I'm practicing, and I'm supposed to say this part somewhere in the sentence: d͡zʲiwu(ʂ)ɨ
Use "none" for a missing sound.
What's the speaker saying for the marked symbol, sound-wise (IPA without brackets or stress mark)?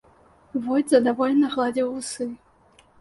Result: s